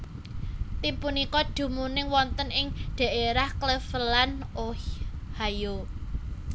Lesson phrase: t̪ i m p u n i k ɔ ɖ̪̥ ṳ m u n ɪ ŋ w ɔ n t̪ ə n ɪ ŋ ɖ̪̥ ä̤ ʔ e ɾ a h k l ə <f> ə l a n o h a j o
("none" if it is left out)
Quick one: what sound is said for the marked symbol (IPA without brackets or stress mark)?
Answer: f